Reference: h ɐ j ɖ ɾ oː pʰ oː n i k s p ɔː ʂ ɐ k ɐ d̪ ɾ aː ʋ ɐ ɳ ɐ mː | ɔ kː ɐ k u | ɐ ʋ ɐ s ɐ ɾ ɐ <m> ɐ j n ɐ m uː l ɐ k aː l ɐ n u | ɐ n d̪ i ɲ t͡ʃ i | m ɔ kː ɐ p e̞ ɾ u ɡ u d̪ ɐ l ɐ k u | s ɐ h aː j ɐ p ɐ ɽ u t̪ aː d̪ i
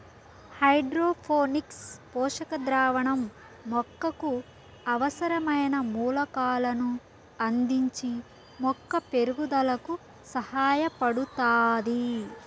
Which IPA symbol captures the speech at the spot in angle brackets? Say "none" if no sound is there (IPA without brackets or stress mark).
m